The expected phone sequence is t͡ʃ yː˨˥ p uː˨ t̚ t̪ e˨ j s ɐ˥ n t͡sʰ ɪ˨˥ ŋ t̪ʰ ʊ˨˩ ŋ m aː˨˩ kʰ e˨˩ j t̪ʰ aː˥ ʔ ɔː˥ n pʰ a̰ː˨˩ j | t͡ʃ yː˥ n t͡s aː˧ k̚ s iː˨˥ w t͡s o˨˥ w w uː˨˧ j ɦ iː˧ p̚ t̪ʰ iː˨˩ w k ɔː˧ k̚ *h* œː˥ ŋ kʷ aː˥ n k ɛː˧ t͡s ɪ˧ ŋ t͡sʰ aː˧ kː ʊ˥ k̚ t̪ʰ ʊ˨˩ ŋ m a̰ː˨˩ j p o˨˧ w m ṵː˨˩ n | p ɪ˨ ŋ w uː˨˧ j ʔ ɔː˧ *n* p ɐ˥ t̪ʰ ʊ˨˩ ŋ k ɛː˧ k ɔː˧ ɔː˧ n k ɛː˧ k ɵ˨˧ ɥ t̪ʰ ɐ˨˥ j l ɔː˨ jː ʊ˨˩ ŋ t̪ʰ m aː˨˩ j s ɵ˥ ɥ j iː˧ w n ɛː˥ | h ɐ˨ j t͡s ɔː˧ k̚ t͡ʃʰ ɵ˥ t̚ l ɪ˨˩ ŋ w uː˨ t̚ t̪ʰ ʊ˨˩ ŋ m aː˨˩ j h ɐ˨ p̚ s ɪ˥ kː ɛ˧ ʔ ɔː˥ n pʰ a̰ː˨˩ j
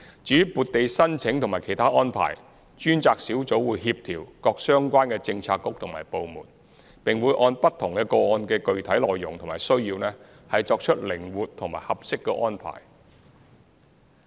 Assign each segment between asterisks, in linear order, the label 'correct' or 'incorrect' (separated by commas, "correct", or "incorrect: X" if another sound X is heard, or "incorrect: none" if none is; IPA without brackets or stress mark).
incorrect: s, correct